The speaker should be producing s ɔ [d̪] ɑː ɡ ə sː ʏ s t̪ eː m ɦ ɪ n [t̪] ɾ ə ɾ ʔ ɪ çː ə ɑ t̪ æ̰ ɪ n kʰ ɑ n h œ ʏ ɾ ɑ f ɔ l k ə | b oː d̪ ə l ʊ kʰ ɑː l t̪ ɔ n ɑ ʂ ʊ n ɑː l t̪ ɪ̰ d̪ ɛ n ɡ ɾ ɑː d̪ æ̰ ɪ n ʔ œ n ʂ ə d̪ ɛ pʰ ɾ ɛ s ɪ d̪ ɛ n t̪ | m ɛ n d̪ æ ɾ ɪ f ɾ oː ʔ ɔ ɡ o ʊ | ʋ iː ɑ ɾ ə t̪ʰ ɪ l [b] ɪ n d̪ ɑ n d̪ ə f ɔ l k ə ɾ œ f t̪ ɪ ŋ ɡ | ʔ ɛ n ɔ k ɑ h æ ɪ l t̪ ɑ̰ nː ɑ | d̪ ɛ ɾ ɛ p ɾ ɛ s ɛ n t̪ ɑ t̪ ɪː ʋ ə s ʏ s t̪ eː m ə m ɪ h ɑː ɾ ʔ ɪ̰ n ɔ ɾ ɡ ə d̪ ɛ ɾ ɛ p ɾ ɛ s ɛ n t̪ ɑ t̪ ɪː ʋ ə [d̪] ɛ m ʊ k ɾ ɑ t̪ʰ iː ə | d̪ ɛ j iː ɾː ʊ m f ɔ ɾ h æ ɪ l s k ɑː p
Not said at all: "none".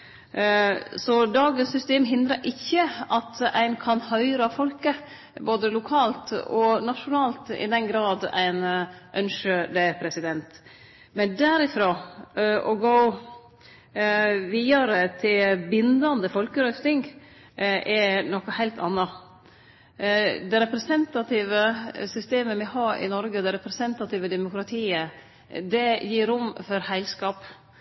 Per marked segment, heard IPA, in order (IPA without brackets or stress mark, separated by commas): d̪, d̪, b, d̪